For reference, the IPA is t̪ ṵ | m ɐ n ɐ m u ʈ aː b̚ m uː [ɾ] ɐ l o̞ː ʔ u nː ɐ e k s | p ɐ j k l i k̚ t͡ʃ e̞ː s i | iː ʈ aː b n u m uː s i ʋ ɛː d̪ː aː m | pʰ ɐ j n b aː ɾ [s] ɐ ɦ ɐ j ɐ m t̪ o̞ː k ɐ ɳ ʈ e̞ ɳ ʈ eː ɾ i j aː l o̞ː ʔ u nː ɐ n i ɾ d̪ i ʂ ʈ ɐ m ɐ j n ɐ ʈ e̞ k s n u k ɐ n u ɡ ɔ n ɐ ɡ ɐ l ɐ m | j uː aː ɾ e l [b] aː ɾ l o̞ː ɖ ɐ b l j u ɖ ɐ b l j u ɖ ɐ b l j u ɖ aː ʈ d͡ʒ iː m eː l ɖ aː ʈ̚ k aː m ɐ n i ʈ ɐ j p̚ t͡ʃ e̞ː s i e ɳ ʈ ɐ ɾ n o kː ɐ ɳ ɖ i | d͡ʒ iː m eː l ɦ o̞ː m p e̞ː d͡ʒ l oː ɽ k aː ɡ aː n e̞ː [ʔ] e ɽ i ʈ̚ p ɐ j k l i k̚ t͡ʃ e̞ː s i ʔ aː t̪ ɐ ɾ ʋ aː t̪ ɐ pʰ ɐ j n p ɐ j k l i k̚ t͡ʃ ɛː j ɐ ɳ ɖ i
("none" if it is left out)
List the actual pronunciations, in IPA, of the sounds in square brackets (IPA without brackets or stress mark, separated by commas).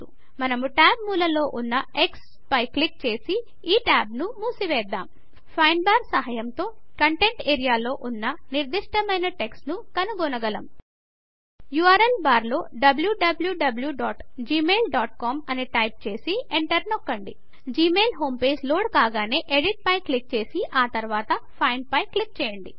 l, s, b, ʔ